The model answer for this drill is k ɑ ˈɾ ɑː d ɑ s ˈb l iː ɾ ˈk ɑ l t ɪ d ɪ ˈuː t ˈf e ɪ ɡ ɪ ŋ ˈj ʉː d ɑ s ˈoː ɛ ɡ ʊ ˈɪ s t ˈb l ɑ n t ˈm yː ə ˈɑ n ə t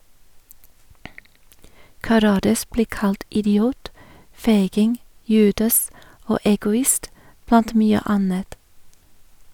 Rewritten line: k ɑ ˈɾ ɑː d ɑ s ˈb l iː ˈk ɑ l t ɪ d ɪ ˈuː t ˈf e ɪ ɡ ɪ ŋ ˈj ʉː d ɑ s ˈoː ɛ ɡ ʊ ˈɪ s t ˈb l ɑ n t ˈm yː ə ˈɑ n ə t